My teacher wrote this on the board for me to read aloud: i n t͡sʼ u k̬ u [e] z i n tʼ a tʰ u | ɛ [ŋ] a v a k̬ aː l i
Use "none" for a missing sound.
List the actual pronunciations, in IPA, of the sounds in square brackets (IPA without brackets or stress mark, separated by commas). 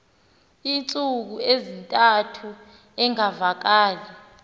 e, ŋ